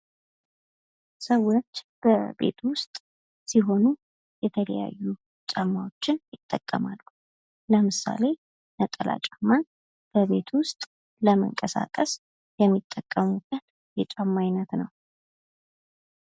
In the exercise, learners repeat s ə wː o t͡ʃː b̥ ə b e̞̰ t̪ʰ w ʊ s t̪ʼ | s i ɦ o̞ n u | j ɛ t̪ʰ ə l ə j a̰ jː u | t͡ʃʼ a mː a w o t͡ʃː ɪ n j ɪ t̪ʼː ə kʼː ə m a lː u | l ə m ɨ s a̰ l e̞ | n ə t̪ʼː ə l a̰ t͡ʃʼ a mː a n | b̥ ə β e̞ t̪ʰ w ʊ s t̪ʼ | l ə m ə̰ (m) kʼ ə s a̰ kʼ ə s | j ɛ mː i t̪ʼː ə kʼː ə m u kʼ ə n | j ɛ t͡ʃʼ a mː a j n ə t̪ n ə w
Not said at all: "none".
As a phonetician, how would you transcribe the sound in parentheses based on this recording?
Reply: ŋ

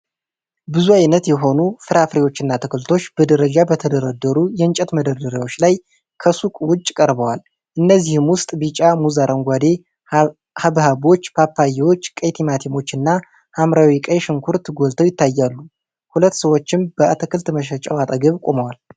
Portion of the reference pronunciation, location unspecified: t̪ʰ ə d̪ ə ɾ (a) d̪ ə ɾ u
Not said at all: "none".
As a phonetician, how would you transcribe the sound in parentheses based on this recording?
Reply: ə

